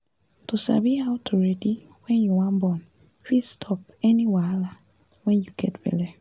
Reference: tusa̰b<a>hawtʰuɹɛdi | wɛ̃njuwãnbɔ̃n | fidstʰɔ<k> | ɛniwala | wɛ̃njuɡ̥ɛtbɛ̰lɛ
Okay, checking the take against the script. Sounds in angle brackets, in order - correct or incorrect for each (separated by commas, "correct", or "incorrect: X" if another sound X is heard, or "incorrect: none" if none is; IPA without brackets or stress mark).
incorrect: i, incorrect: p